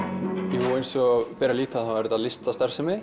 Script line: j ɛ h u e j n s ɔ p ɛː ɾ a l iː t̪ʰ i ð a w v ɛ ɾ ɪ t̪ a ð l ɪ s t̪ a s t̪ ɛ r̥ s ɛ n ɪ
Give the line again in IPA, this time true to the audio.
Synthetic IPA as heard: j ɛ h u e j n s ɔ p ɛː ɾ a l iː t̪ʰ a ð a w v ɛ ɾ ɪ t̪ a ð l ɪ s t̪ a s t̪ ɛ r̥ s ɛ m ɪ